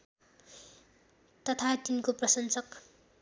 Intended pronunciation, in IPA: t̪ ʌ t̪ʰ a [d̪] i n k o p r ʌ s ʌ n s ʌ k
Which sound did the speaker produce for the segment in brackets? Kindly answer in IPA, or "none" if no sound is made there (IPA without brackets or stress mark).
t̪